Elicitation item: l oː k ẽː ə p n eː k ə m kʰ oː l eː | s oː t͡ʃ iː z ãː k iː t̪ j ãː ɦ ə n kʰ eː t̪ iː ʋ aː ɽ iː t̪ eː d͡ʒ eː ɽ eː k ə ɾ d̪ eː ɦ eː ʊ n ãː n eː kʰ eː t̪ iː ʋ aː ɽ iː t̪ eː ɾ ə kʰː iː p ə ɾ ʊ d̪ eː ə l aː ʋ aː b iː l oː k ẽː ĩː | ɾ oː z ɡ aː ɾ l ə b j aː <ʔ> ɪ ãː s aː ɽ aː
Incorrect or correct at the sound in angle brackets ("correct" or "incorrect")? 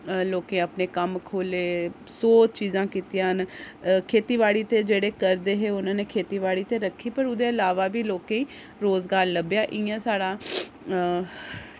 correct